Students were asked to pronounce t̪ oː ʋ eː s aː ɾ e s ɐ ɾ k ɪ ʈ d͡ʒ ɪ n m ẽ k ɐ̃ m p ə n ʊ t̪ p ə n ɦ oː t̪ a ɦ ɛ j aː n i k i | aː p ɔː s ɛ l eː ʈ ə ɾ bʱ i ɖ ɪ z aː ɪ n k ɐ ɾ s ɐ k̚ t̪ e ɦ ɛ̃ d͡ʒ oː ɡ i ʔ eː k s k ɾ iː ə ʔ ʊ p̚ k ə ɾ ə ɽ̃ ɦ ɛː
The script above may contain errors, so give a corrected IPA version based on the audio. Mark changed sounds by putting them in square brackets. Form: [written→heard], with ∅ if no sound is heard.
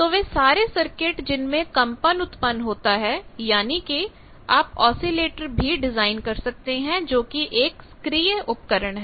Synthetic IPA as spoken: t̪ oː ʋ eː s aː ɾ e s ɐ ɾ k ɪ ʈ d͡ʒ ɪ n m ẽ k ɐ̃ m p ə n ʊ t̪ p ə n ɦ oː t̪ a ɦ ɛ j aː n i k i | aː p ɔː s [ɛ→i] l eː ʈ ə ɾ bʱ i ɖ ɪ z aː ɪ n k ɐ ɾ s ɐ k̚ t̪ e ɦ ɛ̃ d͡ʒ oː [ɡ→k] i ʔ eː k s k ɾ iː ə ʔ ʊ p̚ k ə ɾ ə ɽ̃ ɦ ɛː